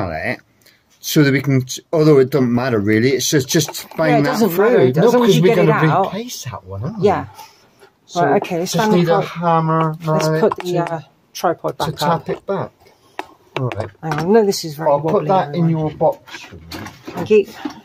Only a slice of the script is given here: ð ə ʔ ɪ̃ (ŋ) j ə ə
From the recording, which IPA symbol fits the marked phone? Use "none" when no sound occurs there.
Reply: n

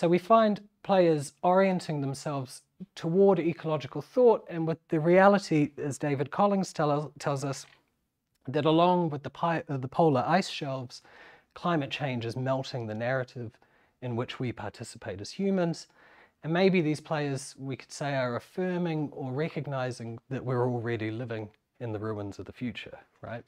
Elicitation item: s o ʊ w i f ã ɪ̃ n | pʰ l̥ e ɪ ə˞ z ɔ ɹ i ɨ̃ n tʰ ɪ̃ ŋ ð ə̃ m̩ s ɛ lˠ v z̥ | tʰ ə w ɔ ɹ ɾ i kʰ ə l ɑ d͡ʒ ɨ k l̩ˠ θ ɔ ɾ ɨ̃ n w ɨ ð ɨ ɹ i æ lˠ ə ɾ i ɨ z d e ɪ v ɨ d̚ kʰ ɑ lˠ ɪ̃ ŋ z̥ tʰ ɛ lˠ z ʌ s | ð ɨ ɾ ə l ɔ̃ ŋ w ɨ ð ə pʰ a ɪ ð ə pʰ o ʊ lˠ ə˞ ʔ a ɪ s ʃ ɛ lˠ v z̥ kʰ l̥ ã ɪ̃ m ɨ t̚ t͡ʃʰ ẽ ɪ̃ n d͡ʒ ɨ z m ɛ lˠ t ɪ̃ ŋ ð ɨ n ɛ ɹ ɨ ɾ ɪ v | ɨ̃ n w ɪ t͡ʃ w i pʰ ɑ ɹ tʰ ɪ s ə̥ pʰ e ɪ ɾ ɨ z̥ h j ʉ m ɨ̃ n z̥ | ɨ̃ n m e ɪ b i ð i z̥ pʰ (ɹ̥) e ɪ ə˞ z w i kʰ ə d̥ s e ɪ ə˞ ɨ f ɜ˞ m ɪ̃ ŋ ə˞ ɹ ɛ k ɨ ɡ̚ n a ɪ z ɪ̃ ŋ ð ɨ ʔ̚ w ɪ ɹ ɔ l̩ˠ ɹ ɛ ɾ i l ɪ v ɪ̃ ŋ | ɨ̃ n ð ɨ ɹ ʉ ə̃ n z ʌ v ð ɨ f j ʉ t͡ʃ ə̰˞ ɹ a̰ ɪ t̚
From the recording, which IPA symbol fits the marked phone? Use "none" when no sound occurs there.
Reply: l̥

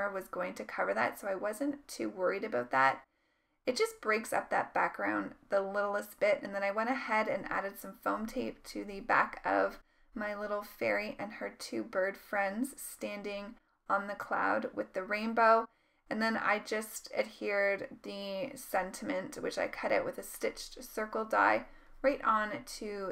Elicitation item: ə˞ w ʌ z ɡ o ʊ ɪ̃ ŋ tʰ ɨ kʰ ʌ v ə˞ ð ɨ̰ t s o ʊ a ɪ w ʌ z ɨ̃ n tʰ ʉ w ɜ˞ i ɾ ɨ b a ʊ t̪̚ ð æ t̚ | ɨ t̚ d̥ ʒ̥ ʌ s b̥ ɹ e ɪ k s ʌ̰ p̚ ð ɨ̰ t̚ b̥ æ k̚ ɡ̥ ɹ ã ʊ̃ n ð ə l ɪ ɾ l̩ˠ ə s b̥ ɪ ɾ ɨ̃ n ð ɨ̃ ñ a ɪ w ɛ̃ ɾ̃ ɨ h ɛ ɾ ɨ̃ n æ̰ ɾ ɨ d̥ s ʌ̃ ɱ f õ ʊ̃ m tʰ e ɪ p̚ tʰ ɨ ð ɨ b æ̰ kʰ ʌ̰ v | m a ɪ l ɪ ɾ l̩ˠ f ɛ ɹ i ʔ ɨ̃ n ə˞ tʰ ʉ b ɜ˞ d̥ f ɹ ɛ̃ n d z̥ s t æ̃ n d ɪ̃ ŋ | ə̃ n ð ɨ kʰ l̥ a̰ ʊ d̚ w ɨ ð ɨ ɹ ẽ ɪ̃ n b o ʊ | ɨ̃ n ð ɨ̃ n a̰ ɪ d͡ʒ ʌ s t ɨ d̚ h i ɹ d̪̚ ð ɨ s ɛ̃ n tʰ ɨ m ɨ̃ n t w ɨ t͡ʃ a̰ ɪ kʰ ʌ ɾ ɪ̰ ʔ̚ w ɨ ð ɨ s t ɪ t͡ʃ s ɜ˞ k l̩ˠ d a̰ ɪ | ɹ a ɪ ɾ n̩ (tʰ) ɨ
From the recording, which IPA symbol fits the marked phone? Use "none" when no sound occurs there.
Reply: tʰ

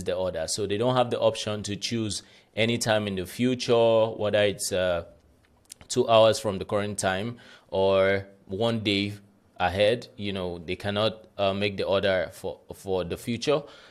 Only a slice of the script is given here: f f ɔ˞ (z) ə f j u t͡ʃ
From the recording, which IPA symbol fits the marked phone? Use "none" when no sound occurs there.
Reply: ð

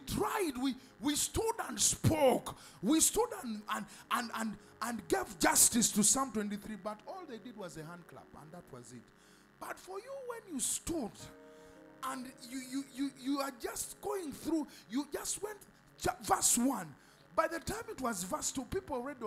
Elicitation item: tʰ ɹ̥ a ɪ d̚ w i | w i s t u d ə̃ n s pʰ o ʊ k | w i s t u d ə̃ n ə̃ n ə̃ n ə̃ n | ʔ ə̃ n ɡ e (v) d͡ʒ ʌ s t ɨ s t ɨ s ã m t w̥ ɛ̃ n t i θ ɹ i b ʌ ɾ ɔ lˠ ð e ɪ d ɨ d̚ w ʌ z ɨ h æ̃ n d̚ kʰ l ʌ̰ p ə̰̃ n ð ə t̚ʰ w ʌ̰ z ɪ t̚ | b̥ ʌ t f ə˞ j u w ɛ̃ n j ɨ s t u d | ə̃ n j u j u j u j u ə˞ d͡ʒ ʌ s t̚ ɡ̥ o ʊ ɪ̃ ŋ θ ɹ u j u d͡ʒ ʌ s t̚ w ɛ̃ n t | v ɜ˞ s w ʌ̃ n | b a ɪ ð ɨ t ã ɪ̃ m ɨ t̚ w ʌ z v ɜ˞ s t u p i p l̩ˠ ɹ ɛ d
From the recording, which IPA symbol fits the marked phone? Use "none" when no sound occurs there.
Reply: v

